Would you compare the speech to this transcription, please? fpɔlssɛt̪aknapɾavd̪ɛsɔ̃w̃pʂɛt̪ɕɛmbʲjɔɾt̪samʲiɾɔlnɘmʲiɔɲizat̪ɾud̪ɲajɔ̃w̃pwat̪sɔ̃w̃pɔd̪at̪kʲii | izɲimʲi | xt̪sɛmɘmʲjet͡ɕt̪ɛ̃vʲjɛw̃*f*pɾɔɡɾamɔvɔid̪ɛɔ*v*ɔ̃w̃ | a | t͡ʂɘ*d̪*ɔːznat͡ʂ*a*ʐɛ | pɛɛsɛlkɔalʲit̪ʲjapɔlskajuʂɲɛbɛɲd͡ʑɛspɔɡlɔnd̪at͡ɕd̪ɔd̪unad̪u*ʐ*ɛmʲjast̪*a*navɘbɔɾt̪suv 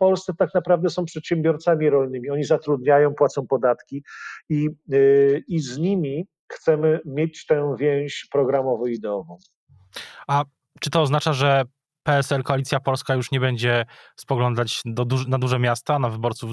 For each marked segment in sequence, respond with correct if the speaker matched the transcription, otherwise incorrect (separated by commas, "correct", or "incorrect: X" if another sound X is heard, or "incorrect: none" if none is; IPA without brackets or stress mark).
incorrect: ɕ, correct, incorrect: t̪, correct, correct, correct